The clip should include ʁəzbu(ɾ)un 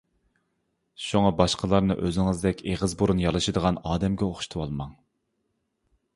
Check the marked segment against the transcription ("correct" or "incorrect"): correct